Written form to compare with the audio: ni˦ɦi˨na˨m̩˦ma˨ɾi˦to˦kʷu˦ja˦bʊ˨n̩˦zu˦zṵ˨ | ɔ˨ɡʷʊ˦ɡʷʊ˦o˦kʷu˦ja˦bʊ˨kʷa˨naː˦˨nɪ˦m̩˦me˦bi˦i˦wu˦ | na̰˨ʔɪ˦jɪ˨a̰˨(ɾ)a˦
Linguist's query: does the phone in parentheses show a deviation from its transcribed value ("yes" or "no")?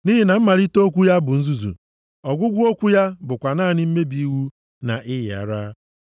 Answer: no